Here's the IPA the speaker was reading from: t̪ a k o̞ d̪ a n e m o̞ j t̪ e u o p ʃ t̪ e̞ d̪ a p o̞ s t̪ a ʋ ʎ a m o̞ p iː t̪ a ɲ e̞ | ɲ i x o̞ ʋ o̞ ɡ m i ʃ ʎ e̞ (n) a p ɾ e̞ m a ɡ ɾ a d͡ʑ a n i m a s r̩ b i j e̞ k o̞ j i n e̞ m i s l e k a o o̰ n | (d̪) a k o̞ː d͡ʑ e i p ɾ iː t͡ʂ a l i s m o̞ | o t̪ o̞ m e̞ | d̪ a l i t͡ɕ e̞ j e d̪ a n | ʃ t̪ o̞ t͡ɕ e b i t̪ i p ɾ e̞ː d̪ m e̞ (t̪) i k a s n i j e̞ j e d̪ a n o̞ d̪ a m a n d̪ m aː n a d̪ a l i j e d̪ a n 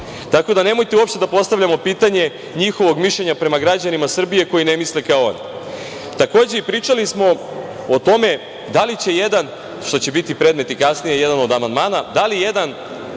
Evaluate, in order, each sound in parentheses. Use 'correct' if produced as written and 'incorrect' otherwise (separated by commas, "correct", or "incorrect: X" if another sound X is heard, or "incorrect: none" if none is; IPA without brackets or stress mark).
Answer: incorrect: ɲ, incorrect: t̪, correct